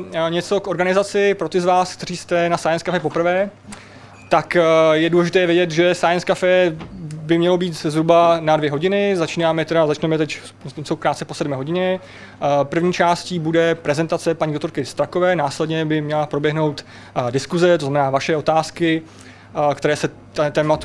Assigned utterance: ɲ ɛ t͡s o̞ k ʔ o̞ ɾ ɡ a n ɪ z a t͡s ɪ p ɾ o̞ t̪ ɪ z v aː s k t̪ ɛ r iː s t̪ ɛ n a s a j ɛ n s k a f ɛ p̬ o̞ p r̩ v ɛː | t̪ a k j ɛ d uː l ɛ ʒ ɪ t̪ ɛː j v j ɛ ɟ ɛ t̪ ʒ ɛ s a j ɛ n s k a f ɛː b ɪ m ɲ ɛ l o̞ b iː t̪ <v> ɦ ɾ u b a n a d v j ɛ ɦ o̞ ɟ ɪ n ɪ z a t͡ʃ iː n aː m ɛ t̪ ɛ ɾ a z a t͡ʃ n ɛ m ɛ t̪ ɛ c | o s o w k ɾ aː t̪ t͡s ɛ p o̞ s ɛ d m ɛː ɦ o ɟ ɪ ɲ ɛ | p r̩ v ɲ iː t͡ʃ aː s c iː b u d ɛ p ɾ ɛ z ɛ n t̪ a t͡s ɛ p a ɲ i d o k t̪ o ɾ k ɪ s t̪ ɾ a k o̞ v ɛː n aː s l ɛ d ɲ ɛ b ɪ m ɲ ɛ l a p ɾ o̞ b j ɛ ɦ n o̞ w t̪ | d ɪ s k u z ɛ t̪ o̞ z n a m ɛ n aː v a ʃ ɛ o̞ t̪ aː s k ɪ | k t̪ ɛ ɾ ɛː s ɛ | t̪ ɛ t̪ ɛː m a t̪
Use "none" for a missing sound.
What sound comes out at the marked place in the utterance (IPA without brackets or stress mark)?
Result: z